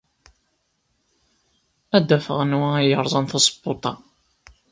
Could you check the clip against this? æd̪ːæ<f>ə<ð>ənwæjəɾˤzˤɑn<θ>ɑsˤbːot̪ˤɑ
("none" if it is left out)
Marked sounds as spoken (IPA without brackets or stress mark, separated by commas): f, ʁ, θ